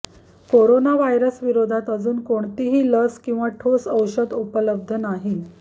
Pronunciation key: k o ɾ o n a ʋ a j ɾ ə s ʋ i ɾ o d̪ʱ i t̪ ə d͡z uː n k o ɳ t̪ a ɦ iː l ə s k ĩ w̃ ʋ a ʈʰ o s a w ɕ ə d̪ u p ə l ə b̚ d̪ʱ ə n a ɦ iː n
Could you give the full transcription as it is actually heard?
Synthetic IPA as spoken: k o ɾ o n a ʋ a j ɾ ə s ʋ i ɾ o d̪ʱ a t̪ ə d͡z uː n k o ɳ t̪ i ɦ iː l ə s k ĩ w̃ ʋ a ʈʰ o s ə w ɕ ə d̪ u p ə l ə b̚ d̪ʱ ə n a ɦ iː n